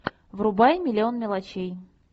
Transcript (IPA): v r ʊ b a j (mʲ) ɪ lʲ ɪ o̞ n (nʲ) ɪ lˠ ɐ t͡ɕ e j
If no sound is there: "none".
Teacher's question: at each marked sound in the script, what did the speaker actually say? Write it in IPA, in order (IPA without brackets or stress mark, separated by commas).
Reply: mʲ, mʲ